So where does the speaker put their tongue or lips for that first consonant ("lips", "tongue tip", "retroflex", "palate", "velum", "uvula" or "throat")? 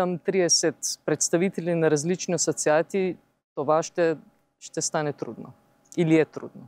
lips